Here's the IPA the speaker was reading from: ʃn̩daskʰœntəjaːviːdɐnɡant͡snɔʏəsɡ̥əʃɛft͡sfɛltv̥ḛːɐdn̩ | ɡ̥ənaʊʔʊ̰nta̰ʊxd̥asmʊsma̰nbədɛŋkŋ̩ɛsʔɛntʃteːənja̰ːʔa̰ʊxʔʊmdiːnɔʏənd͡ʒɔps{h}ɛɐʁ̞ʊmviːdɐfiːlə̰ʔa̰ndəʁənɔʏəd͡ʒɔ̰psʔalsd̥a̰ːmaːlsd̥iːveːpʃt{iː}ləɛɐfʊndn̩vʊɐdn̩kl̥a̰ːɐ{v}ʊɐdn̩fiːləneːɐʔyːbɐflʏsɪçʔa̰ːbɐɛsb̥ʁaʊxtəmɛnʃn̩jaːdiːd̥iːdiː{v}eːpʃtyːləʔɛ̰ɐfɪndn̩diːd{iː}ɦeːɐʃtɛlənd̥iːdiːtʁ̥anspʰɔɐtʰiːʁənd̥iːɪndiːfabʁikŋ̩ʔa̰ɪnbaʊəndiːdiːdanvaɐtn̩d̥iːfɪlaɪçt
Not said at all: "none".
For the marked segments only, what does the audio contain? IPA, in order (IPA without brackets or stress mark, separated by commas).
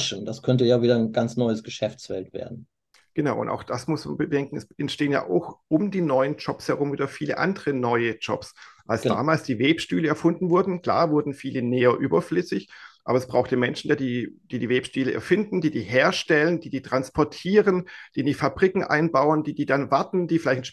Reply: h, yː, v, v, iː